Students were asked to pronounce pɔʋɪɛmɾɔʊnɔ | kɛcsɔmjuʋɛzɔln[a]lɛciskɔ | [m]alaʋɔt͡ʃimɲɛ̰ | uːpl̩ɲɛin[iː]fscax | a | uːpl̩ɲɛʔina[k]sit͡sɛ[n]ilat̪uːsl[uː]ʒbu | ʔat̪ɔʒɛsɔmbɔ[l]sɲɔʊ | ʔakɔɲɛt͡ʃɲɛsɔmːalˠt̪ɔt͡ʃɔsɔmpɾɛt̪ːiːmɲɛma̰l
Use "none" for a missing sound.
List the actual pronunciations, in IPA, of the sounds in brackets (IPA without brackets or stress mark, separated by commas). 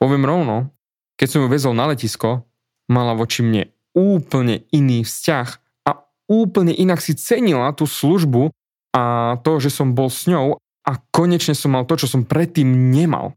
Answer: a, m, iː, k, ɲ, u, l